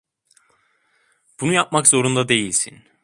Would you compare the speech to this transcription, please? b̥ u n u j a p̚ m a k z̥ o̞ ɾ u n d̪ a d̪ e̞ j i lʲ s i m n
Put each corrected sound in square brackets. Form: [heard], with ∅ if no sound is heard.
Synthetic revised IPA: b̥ u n u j a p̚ m a k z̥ o̞ ɾ u n d̪ a d̪ e̞ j i lʲ s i [∅] n